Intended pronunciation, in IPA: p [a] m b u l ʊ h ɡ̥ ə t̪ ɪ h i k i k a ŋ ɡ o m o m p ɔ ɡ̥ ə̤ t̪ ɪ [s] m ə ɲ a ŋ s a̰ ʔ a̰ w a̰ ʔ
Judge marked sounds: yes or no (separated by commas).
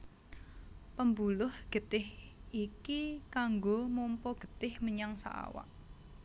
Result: no, no